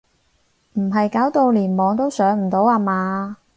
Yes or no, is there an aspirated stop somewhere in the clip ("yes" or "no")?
no